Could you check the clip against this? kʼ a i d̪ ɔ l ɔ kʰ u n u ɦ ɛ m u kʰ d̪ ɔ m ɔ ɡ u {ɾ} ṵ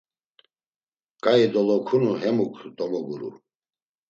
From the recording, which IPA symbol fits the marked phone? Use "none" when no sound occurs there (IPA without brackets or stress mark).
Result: ɾ